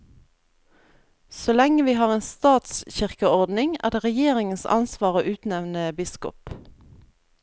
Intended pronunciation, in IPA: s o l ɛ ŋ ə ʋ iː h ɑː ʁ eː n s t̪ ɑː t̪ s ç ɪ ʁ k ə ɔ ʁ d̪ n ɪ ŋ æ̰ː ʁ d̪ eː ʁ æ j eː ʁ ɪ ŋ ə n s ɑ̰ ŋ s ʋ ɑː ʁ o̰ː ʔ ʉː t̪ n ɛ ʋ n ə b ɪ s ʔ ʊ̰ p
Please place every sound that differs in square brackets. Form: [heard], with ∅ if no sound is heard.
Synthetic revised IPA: s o l ɛ ŋ ə ʋ iː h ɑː ʁ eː n s t̪ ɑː t̪ s ç ɪ ʁ k ə ɔ ʁ d̪ n ɪ ŋ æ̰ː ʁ d̪ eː ʁ [ɛ] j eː ʁ ɪ ŋ ə n s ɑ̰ [n] s ʋ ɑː ʁ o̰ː ʔ ʉː t̪ n ɛ ʋ n ə b ɪ s [k] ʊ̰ p